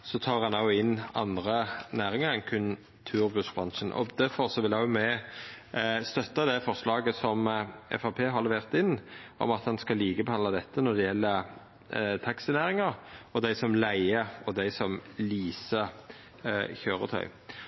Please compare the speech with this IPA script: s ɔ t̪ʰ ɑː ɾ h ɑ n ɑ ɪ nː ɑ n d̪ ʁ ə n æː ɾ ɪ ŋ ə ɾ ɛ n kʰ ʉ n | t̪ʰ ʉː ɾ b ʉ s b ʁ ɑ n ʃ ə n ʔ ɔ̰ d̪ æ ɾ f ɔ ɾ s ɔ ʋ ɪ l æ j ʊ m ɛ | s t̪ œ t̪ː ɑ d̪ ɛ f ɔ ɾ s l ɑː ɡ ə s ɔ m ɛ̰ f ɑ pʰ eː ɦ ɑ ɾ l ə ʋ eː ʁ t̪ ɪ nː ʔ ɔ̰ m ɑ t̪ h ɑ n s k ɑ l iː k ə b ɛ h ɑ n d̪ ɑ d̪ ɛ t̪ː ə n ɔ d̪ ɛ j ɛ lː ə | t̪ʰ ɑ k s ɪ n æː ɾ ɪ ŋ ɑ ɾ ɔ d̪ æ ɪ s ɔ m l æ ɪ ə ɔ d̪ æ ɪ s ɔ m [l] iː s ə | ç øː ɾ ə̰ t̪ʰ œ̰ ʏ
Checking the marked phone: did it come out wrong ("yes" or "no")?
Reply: no